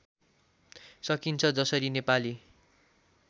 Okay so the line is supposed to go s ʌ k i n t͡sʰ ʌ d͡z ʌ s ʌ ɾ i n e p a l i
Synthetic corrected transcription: s ʌ k i n t͡sʰ ʌ d͡z ʌ s ʌ ɾ i n e p a l i